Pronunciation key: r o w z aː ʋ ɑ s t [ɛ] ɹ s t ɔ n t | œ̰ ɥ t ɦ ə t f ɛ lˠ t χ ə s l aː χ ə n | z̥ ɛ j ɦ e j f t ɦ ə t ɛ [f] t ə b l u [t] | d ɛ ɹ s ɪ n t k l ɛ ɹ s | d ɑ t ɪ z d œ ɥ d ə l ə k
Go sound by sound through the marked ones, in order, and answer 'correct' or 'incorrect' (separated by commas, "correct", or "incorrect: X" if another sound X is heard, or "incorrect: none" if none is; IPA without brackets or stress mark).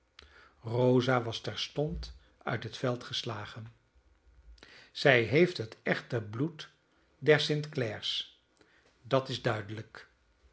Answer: correct, incorrect: χ, correct